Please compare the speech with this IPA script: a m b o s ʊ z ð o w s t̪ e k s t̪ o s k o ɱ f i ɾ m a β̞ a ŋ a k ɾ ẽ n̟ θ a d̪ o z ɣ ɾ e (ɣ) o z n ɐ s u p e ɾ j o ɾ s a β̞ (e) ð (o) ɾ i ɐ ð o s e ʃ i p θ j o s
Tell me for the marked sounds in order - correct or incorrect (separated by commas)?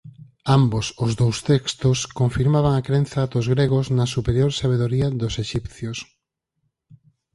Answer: correct, correct, correct